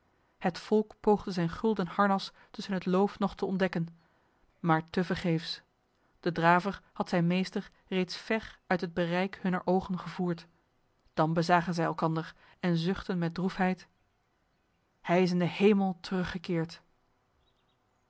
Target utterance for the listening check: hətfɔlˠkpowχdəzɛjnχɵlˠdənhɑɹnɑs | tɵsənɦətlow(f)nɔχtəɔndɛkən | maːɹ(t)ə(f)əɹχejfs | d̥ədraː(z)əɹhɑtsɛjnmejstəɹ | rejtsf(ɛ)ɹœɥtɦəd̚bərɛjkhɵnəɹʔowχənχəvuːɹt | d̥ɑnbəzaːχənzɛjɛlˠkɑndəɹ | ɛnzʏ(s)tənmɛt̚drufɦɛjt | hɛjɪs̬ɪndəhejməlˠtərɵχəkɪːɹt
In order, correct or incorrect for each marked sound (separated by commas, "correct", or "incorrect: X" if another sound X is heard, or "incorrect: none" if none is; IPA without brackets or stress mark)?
correct, correct, incorrect: v, incorrect: v, correct, incorrect: χ